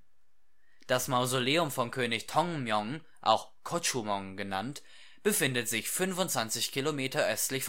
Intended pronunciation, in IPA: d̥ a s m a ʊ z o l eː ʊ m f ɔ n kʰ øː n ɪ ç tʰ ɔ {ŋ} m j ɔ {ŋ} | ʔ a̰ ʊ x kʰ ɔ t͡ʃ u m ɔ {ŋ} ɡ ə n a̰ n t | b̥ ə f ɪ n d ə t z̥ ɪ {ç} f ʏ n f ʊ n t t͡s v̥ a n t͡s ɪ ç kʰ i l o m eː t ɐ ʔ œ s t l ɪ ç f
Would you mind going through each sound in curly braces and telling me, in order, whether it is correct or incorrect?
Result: correct, correct, correct, correct

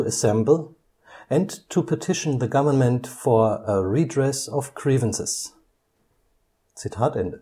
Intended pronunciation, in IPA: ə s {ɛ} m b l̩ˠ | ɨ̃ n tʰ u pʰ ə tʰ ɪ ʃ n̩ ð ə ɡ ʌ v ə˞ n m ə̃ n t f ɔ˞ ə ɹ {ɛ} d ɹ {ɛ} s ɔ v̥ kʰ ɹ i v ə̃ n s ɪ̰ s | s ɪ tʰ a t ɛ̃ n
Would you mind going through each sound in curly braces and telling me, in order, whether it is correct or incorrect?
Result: incorrect: ɛ̃, incorrect: i, correct

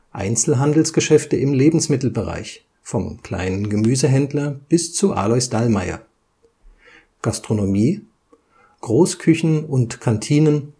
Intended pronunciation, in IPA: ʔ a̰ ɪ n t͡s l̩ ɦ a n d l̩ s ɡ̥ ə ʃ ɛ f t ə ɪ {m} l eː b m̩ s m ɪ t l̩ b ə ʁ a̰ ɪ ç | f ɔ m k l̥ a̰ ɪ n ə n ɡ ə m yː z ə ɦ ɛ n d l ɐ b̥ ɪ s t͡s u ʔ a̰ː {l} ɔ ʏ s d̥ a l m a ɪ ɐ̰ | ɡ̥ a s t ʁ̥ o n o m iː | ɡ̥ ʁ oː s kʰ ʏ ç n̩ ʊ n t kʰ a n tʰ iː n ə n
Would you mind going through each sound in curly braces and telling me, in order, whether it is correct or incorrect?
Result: correct, correct

